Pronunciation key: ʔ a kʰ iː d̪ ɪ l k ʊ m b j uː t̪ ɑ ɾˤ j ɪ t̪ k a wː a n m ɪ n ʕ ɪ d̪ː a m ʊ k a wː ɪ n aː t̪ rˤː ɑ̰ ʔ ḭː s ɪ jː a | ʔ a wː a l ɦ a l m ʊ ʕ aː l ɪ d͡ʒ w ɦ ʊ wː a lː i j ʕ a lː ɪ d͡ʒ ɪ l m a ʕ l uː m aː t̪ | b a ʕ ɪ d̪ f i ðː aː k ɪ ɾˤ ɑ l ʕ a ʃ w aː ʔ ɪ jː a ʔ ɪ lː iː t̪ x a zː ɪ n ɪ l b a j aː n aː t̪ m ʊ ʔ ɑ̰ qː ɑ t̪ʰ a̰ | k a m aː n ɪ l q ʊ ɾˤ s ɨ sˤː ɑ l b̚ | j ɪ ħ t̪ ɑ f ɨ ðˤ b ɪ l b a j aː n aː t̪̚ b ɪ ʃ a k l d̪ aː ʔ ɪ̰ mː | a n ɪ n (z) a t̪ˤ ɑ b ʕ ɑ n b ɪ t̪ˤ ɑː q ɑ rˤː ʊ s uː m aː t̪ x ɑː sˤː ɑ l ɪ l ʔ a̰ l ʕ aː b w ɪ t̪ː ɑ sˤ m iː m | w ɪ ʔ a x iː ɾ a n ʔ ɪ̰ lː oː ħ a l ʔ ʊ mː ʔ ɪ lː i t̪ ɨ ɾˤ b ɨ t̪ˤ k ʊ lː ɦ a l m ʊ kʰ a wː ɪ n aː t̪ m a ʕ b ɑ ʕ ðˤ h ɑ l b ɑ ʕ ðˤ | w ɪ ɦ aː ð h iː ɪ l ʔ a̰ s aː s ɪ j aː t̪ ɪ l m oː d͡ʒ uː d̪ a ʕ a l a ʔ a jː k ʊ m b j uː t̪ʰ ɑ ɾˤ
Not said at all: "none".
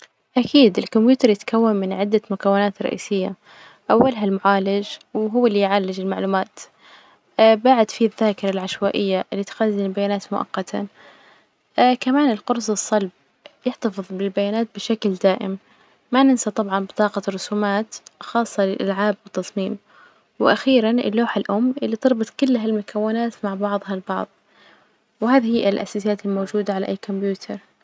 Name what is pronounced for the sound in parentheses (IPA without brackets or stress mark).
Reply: s